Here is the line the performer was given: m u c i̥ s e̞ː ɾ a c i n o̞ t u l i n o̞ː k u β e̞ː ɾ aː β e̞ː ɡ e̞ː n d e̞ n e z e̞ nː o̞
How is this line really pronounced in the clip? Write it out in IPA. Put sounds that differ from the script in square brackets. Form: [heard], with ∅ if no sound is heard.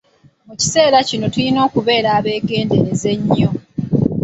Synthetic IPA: m u c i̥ s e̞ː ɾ a c i n o̞ t u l i n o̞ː k u β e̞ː ɾ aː β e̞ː ɡ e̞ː n d e̞ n e z e̞ [ɲː] o̞